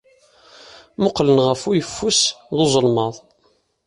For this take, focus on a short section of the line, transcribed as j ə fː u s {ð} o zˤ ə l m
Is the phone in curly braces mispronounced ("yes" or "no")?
no